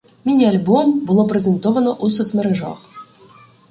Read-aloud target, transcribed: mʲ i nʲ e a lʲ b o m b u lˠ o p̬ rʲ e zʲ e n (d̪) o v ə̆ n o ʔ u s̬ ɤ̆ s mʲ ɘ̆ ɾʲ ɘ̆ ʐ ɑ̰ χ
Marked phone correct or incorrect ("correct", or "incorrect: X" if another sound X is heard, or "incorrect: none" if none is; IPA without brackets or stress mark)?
incorrect: t̪